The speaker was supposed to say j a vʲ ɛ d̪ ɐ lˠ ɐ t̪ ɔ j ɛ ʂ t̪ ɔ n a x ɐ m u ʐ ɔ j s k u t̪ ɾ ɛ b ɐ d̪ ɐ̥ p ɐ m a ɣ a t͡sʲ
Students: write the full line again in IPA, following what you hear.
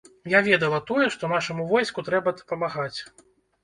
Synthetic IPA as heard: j a vʲ ɛ d̪ ɐ lˠ ɐ t̪ ɔ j ɛ ʂ t̪ ɔ n a ʂ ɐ m u v ɔ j s k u t̪ ɾ ɛ b ɐ d̪ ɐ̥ p ɐ m a ɣ a t͡sʲ